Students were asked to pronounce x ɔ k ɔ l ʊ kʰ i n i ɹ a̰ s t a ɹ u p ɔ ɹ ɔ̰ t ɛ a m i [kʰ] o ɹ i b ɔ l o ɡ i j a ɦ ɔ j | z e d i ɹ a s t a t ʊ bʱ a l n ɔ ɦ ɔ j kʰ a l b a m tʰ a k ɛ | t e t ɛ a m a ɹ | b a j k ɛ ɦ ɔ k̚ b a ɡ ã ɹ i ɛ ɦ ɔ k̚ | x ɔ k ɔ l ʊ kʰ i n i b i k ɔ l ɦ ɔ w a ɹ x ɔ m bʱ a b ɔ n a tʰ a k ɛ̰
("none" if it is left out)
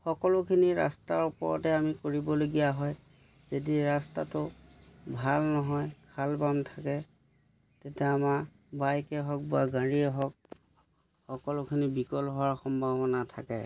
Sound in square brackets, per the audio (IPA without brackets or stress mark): k